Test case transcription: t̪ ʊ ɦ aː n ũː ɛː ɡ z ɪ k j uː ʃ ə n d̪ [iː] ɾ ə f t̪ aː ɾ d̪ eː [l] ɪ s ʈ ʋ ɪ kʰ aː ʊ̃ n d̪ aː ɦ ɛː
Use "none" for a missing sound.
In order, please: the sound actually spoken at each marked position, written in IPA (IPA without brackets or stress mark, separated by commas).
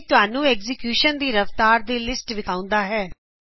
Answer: iː, l